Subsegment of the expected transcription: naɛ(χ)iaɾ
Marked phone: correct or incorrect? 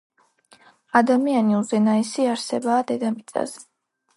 incorrect